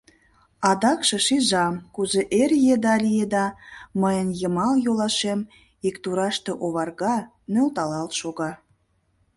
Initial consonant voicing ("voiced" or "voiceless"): voiced